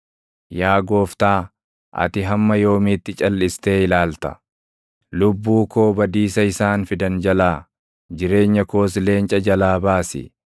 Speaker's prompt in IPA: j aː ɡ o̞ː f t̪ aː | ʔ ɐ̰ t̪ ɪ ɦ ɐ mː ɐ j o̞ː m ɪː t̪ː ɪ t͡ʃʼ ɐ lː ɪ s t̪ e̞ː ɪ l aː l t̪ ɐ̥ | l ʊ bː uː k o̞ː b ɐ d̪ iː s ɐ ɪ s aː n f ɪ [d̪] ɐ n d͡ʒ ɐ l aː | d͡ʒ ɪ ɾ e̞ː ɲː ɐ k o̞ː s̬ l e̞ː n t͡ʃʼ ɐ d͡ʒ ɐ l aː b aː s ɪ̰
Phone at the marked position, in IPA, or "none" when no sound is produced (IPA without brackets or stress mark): d̪